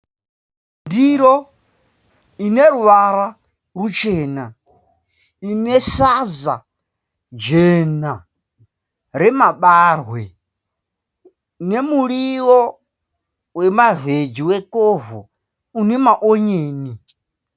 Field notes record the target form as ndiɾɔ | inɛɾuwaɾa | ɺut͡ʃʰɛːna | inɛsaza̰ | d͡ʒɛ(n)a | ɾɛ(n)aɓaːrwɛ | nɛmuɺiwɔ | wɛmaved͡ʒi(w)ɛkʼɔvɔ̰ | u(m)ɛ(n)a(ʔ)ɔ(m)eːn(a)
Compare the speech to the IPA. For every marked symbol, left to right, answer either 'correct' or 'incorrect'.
correct, incorrect: m, correct, incorrect: n, incorrect: m, correct, incorrect: ɲ, incorrect: i

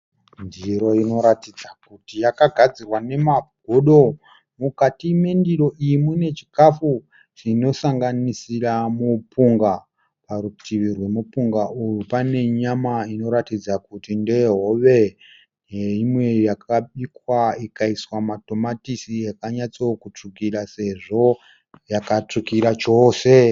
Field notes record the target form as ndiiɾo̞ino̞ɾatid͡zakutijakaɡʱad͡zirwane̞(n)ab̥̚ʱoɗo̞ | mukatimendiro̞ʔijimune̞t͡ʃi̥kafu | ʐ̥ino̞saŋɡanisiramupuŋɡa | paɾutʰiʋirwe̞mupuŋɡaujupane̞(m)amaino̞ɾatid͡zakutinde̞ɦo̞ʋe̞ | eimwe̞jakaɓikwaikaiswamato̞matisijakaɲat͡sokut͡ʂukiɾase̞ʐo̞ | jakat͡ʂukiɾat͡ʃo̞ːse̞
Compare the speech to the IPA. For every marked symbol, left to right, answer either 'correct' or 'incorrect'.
incorrect: m, incorrect: ɲ

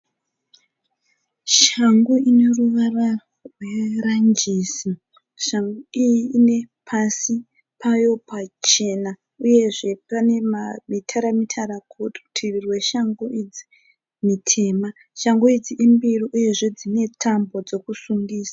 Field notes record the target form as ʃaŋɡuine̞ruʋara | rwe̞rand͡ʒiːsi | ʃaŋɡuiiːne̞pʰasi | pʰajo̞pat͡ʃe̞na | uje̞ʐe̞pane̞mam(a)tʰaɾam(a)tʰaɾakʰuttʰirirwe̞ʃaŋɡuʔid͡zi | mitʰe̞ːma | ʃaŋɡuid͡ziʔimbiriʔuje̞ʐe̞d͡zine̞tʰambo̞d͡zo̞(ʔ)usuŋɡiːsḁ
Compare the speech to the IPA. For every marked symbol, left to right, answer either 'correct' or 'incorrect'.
incorrect: i, incorrect: i, incorrect: k

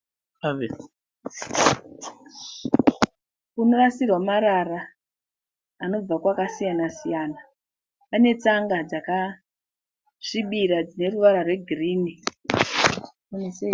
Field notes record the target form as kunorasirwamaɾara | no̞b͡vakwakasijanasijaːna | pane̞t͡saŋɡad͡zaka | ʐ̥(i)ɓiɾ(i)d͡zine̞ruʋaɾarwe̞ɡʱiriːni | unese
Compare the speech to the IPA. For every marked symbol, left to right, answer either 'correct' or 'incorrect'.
correct, incorrect: a

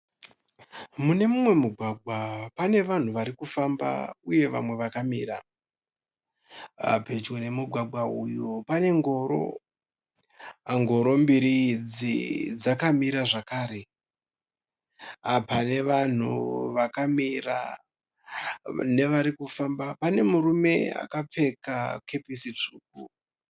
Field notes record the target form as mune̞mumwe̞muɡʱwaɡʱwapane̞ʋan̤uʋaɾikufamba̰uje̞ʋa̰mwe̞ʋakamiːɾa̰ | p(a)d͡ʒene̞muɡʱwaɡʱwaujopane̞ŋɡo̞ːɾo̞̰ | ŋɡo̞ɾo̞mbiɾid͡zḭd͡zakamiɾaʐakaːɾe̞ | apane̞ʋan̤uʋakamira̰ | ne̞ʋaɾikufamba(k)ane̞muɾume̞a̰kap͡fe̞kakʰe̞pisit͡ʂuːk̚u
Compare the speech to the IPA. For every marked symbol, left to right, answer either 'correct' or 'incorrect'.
incorrect: e, incorrect: p

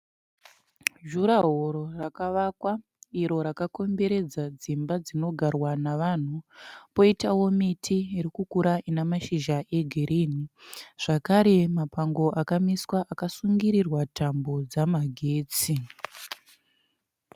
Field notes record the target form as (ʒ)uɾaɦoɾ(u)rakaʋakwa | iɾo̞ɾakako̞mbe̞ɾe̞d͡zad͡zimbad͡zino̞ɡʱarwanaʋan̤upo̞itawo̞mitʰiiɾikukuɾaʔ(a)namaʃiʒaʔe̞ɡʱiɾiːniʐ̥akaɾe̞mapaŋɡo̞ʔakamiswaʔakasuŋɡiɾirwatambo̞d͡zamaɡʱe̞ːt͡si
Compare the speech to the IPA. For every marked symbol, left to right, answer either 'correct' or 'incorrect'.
correct, incorrect: o, incorrect: i

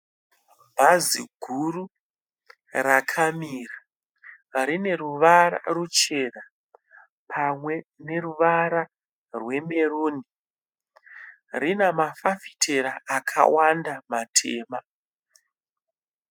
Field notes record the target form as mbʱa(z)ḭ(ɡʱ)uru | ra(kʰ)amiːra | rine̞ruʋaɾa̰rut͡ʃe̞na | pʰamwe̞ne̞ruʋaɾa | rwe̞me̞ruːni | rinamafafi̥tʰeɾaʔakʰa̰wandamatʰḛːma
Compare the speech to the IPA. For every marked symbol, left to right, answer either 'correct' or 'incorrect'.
correct, correct, correct

